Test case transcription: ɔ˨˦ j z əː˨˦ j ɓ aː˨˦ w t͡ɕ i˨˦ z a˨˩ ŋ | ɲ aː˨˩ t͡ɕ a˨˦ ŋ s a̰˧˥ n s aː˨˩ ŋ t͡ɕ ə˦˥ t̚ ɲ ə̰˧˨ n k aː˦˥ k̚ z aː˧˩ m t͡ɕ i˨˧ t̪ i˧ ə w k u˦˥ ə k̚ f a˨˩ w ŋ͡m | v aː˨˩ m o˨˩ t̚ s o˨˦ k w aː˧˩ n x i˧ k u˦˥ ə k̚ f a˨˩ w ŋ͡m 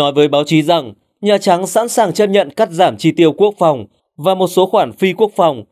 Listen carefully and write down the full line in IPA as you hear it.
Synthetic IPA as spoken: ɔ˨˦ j v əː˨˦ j ɓ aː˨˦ w t͡ɕ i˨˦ z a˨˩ ŋ | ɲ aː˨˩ t͡ɕ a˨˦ ŋ s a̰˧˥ n s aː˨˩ ŋ t͡ɕ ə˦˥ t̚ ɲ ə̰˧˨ n k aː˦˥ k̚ z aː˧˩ m t͡ɕ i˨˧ t̪ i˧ ə w k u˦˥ ə k̚ f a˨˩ w ŋ͡m | v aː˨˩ m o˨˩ t̚ s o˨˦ x w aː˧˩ n f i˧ k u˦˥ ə k̚ f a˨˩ w ŋ͡m

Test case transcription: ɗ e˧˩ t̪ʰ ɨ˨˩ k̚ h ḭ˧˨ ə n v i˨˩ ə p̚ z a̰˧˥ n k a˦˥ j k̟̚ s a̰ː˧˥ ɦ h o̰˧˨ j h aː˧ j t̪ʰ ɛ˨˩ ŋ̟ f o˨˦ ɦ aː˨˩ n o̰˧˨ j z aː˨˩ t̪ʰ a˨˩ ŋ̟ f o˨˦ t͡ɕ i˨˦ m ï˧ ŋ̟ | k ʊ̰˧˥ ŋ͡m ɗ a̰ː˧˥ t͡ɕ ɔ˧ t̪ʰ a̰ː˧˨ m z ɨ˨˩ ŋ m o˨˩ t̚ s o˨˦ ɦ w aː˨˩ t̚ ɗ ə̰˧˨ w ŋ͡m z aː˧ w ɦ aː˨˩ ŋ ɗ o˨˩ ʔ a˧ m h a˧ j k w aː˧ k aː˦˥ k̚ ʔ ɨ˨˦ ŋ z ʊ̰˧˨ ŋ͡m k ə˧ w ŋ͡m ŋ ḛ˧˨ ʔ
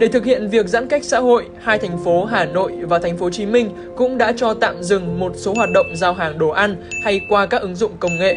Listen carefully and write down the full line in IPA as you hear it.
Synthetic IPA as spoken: ɗ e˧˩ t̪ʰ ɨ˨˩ k̚ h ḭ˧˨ ə n v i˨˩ ə k̚ z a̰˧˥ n k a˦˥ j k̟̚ s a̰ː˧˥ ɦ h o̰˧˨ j h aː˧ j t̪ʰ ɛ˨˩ ŋ̟ f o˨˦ ɦ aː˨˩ n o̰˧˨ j v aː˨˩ t̪ʰ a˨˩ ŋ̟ f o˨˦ t͡ɕ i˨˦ m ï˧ ŋ̟ | k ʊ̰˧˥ ŋ͡m ɗ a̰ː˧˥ t͡ɕ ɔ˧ t̪ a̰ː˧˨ m z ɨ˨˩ ŋ m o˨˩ t̚ s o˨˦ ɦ w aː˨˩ t̚ ɗ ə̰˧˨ w ŋ͡m z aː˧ w ɦ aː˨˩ ŋ ɗ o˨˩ ʔ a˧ n h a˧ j k w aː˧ k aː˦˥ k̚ ʔ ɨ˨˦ ŋ z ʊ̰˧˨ ŋ͡m k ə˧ w ŋ͡m ŋ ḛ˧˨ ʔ

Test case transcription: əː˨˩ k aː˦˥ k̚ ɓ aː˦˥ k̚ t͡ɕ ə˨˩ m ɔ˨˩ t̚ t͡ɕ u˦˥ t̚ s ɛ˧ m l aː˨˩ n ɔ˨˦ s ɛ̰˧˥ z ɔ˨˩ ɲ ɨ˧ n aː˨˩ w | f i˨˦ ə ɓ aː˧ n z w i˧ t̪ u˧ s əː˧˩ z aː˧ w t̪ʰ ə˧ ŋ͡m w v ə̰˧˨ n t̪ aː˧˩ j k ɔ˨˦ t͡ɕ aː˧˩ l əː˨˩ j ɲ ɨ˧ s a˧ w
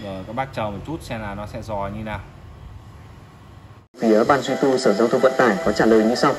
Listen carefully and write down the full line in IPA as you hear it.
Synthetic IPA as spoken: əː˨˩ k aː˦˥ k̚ ɓ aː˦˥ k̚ t͡ɕ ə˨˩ m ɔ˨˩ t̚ t͡ɕ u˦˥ t̚ s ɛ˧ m l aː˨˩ n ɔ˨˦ s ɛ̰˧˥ z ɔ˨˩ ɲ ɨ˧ n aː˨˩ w | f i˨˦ ə ɓ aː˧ n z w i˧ t̪ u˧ s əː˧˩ z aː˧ w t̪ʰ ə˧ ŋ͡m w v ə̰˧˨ n t̪ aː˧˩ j k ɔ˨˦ t͡ɕ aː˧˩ l əː˨˩ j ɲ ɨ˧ s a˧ w

